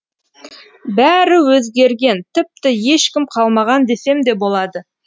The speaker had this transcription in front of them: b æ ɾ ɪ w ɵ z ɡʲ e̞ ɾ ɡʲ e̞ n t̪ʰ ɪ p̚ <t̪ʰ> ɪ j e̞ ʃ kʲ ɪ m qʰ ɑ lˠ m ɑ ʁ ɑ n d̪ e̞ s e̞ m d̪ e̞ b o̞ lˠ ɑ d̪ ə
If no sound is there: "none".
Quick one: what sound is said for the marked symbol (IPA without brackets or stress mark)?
t̪